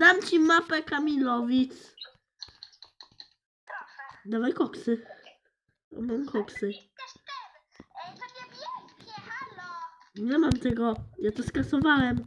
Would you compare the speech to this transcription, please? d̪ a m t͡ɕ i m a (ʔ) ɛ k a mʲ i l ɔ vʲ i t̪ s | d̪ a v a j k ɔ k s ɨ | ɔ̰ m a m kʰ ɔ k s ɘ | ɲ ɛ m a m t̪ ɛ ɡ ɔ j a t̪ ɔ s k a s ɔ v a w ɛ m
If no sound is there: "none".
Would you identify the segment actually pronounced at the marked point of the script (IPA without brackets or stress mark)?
p